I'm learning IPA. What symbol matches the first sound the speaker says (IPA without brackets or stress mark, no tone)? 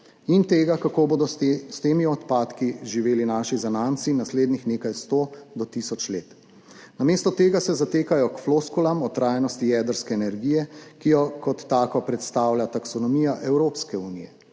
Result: i